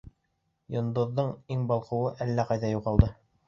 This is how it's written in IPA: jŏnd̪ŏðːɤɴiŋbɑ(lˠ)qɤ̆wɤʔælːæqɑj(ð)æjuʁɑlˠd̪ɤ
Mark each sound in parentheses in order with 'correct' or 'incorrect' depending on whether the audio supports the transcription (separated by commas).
correct, correct